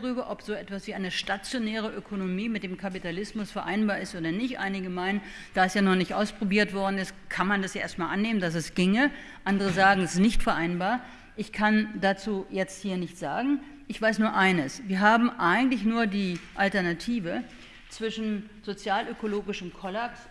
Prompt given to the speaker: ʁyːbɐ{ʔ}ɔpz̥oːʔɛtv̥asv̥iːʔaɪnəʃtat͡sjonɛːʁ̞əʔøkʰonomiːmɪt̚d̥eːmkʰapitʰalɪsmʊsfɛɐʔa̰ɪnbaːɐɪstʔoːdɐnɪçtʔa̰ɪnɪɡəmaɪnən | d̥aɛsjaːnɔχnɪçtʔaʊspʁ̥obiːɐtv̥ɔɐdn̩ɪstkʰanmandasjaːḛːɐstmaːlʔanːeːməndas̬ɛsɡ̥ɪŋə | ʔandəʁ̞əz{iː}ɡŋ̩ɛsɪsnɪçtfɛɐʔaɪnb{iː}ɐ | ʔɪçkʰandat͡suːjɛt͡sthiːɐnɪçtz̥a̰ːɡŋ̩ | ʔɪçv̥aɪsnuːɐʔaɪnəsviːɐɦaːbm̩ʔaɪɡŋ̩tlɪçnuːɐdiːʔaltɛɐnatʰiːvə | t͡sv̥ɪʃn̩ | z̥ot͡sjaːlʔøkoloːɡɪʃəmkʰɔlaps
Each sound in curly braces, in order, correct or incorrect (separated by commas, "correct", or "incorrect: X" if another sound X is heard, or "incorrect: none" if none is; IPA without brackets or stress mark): correct, incorrect: aː, incorrect: aː